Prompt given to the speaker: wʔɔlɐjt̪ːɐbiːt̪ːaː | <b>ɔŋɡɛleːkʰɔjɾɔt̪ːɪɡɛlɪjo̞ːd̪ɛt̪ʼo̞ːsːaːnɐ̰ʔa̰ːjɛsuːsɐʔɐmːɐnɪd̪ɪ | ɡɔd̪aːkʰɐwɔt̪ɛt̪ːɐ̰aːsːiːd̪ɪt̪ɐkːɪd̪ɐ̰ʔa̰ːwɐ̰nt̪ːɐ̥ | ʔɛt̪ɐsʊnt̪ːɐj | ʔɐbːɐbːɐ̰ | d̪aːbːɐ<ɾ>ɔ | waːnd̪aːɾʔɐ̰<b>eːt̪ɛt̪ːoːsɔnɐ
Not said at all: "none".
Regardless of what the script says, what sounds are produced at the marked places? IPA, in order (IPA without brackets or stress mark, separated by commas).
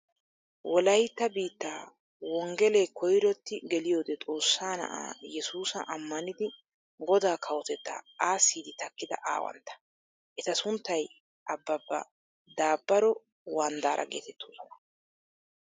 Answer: w, ɾ, ɡ